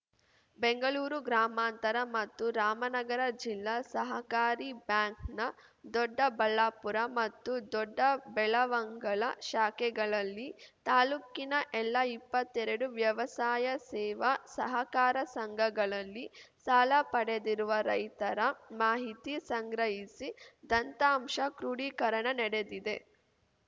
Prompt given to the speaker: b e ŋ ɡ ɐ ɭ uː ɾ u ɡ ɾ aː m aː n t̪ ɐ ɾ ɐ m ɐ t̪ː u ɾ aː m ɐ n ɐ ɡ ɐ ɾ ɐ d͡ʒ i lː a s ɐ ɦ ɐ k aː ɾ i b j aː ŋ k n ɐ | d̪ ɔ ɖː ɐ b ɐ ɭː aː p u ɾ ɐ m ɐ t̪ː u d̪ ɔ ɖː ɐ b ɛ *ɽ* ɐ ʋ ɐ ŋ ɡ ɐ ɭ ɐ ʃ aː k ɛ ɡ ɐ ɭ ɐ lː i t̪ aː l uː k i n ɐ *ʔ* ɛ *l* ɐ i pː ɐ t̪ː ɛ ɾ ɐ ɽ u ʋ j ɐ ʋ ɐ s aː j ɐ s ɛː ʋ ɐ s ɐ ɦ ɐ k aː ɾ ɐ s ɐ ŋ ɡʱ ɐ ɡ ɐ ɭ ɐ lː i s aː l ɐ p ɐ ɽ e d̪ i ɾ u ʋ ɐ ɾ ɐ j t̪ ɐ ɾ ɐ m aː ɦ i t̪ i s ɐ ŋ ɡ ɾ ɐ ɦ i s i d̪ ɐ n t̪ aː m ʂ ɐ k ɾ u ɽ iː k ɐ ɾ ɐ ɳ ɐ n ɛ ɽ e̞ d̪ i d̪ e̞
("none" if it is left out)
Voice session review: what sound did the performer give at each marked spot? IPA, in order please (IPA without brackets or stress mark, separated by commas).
ɭ, ʔ, lː